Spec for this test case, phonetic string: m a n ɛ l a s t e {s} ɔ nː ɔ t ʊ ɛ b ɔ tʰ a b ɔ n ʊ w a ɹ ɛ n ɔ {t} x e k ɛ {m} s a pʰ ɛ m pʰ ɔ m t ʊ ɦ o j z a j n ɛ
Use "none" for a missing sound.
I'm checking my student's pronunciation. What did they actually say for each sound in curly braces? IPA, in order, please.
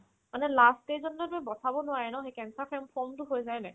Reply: z, none, n

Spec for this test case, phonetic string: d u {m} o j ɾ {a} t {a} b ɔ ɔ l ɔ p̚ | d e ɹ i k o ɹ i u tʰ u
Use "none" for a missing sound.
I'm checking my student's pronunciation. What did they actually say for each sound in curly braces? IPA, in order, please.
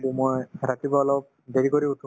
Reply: m, a, i

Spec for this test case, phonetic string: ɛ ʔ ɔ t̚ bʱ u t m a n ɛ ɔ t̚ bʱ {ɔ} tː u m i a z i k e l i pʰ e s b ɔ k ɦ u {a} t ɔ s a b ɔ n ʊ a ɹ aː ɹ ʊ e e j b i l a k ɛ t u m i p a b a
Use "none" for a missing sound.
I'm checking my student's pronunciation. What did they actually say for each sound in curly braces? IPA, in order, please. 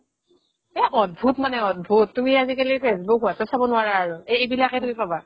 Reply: u, a

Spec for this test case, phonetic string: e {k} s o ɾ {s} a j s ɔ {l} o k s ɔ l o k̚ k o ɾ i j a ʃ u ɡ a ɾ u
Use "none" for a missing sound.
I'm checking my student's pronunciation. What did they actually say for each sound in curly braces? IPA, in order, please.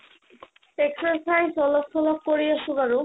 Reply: k, s, l

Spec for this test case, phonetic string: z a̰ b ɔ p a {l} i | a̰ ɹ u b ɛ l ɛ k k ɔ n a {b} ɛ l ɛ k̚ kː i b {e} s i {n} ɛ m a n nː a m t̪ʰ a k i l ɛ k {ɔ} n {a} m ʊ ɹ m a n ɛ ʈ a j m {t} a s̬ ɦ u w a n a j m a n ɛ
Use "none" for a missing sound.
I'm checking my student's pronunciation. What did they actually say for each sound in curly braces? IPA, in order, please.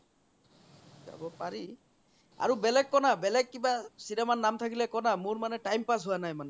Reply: ɹ, b, a, n, ɔ, a, p

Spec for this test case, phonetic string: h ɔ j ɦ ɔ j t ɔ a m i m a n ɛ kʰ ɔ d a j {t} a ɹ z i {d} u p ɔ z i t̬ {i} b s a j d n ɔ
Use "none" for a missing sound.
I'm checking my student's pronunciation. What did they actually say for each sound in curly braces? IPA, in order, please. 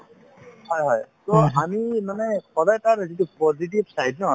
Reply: t, t, i

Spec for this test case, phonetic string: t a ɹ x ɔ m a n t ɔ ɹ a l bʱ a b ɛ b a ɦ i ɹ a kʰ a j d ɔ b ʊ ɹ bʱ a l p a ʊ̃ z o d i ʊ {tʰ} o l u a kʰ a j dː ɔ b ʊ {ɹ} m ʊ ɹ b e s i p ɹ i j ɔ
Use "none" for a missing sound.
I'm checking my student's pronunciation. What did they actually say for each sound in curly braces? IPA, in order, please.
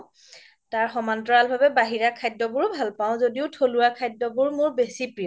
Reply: tʰ, ɹ

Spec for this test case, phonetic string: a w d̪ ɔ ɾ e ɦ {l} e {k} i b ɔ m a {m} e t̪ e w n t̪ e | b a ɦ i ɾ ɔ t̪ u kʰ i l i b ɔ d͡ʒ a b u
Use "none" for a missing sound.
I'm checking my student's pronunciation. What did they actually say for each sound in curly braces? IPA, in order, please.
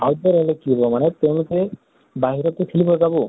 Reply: l, k, n

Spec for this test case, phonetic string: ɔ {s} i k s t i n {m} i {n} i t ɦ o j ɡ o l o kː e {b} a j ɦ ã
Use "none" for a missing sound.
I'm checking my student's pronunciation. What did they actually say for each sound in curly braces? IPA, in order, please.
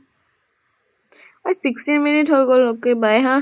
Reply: s, m, n, b

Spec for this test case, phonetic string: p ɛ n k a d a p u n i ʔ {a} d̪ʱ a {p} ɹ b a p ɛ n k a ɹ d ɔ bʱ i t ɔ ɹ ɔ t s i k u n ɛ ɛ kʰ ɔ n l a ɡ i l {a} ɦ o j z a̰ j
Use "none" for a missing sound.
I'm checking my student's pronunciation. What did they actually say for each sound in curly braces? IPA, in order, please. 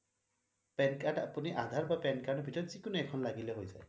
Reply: a, none, ɛ

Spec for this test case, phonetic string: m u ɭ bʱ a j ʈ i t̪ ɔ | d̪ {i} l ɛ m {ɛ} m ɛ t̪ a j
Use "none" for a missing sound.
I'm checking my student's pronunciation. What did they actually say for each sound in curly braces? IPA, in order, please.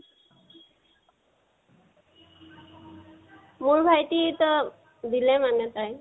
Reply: i, a

